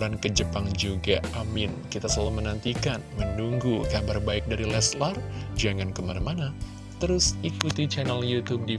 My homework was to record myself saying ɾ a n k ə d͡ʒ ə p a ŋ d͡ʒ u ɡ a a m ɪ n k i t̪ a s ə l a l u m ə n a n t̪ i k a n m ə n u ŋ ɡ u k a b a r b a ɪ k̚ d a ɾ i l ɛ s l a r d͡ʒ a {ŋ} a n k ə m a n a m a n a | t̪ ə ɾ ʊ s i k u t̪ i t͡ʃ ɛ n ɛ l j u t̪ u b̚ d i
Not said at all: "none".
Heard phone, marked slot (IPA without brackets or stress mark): ŋ